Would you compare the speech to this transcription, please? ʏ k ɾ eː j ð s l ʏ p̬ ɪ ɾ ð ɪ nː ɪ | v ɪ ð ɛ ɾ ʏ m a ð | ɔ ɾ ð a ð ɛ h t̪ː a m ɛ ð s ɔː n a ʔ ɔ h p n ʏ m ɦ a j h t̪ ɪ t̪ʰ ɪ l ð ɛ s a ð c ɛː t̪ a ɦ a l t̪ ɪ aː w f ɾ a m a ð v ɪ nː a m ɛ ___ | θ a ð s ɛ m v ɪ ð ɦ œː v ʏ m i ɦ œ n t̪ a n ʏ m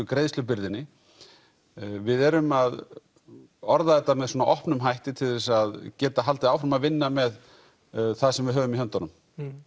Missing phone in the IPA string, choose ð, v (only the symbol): ð